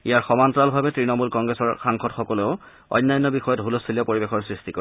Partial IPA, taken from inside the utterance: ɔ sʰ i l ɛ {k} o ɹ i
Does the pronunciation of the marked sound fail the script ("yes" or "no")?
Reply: yes